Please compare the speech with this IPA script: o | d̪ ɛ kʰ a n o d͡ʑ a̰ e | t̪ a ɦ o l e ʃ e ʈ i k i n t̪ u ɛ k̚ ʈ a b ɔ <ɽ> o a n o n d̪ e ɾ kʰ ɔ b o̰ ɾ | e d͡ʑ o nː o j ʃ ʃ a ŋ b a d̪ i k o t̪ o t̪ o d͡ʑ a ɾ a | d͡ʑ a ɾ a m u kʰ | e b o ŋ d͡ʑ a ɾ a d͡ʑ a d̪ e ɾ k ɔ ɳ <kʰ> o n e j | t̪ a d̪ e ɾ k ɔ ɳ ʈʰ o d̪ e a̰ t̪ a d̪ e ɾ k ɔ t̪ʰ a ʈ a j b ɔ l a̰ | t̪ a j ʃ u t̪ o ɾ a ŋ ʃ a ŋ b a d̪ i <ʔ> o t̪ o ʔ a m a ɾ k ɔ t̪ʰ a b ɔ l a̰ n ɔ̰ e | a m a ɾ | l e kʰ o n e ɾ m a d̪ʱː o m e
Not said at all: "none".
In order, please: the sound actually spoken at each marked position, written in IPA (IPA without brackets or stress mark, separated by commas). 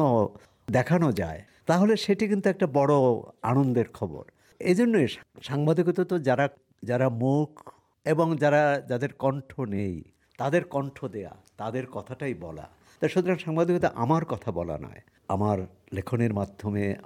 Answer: ɽ, ʈʰ, k